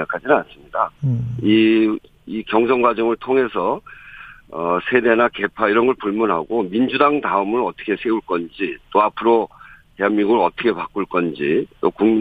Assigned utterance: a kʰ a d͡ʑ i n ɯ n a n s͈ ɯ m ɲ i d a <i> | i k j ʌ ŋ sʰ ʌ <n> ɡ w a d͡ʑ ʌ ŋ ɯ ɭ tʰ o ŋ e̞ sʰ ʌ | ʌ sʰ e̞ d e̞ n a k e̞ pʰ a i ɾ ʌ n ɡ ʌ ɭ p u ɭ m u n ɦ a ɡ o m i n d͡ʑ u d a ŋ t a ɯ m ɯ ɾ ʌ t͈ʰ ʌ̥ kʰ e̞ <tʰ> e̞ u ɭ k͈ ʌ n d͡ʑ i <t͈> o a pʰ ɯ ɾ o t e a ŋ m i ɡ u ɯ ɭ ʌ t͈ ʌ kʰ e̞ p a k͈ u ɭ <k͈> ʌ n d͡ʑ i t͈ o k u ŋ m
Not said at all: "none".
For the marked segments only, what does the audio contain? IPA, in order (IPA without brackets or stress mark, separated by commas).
i, ŋ, sʰ, t͈, k͈